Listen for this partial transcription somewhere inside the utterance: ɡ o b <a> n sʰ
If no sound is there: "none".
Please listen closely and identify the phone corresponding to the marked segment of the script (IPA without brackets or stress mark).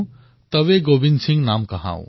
i